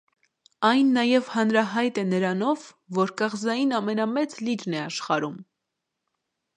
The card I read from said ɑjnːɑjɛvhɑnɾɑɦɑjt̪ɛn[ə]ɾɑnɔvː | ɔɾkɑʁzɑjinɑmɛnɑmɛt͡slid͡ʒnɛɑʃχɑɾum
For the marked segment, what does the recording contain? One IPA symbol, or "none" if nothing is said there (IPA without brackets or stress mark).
ə